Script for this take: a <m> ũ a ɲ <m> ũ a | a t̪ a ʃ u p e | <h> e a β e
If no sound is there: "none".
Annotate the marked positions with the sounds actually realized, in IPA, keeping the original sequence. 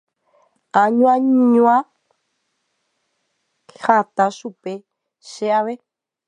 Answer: ɲ, ɲ, ʃ

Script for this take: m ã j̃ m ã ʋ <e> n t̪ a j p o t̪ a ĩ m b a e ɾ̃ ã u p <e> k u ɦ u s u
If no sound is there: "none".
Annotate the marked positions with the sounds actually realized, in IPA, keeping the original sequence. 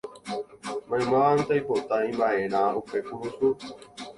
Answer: a, e

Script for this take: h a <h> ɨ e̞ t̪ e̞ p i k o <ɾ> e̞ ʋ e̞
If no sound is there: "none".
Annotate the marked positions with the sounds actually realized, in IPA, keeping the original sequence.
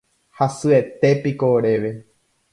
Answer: s, ɾ

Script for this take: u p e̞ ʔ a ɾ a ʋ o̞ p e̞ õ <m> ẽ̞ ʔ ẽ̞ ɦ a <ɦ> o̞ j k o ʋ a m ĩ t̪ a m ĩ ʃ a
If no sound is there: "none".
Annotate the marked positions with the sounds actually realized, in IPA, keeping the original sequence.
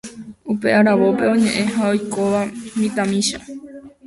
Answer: ɲ, none

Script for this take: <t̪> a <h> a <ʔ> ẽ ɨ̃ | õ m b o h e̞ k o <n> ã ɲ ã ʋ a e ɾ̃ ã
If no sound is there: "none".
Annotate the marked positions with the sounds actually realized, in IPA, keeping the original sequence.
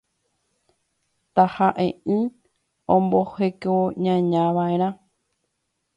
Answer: t̪, h, ʔ, ɲ

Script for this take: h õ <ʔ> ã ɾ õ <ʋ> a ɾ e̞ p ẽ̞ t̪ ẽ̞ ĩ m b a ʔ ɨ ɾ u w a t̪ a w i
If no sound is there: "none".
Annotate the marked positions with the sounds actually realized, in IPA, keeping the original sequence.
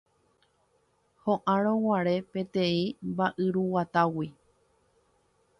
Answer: ʔ, w

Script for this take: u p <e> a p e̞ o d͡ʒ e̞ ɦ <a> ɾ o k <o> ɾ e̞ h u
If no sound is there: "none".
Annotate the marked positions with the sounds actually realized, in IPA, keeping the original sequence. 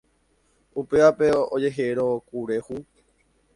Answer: e, e, u

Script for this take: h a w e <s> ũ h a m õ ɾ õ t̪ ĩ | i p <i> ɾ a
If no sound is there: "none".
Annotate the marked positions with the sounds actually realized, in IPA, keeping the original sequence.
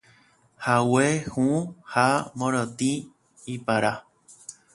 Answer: h, a

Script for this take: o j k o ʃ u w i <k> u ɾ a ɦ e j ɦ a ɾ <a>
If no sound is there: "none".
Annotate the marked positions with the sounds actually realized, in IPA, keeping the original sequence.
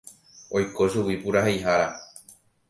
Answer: p, a

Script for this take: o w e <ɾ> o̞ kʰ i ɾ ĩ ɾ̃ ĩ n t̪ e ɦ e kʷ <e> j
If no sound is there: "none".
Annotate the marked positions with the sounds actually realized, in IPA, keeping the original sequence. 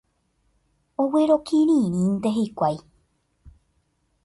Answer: ɾ, a

